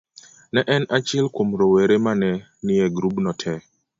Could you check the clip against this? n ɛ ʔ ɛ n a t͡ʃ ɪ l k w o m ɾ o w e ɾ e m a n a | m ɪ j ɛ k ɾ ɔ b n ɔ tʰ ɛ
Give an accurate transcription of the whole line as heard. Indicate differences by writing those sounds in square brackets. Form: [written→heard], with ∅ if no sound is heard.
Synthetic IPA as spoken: n ɛ ʔ ɛ n a t͡ʃ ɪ l k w o m ɾ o w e ɾ e m a n [a→ɛ] | [m→n] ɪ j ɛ [k→ɡ] ɾ [ɔ→u] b n ɔ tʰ ɛ